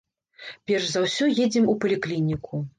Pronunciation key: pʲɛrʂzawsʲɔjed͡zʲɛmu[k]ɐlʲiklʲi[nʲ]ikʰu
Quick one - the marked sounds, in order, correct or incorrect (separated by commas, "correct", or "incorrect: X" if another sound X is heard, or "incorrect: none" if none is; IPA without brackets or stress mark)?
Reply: incorrect: p, correct